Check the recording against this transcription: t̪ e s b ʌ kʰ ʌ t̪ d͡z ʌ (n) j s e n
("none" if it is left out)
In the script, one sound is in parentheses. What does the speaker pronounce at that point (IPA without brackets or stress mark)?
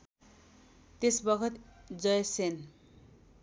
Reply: none